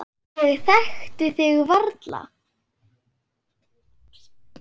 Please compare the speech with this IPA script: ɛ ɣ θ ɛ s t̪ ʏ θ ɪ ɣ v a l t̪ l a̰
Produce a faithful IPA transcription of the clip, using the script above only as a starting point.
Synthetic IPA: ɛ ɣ θ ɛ x t̪ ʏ θ ɪ ɣ v a ɾ t̪ l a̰